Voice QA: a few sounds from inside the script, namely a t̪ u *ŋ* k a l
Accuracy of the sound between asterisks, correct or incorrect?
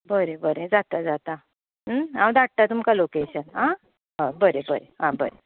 incorrect